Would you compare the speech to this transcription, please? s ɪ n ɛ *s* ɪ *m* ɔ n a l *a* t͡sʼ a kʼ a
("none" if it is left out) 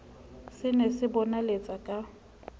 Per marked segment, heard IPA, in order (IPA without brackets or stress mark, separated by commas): s, b, e